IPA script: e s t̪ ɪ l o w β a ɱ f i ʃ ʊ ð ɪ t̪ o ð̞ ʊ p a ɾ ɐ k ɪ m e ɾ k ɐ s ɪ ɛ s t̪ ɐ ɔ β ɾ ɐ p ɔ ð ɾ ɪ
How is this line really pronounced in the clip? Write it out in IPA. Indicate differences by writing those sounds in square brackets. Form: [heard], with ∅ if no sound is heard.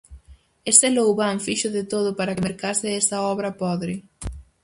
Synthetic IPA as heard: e s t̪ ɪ l o w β a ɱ f i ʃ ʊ ð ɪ t̪ o ð̞ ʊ p a ɾ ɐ k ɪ m e ɾ k [a] s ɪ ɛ s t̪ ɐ ɔ β ɾ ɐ p ɔ ð ɾ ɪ